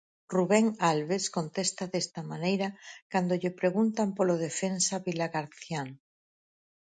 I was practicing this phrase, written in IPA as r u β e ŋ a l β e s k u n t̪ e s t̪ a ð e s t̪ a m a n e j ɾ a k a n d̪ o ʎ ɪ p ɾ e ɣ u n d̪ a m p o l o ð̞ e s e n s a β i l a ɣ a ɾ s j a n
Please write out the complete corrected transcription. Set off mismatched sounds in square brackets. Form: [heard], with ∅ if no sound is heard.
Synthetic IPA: r u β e ŋ a l β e s k [o] n t̪ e s t̪ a ð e s t̪ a m a n e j ɾ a k a n d̪ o ʎ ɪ p ɾ e ɣ u n [t̪] a m p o l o ð̞ e [f] e n s a β i l a ɣ a ɾ [θ] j a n